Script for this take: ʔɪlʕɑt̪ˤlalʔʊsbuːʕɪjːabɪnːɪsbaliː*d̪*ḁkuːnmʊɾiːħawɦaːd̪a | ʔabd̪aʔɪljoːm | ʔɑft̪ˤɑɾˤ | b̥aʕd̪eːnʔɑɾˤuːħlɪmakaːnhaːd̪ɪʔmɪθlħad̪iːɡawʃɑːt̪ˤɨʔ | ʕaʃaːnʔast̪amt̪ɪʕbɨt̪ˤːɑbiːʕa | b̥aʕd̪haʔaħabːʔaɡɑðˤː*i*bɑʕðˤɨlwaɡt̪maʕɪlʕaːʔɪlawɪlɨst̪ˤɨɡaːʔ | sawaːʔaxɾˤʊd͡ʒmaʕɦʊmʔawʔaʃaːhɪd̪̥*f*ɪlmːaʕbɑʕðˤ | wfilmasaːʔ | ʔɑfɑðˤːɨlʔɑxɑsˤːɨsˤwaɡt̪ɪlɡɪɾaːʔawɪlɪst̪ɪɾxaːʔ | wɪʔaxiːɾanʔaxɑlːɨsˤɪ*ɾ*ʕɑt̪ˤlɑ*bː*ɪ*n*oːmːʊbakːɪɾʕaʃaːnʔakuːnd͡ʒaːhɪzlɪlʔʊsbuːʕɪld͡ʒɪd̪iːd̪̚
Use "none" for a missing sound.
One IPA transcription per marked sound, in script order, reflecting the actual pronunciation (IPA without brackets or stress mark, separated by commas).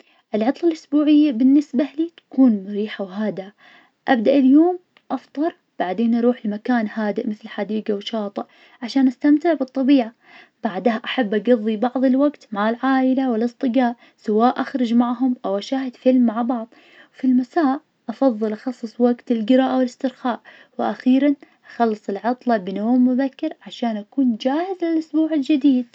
t̪, i, f, l, b, n